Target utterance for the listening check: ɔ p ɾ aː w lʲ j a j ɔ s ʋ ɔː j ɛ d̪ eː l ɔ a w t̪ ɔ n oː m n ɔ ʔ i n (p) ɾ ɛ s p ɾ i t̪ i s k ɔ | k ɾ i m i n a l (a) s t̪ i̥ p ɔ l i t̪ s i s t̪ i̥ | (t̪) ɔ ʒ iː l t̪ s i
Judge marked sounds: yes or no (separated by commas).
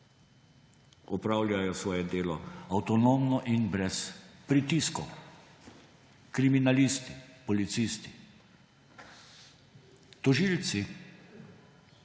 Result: no, no, yes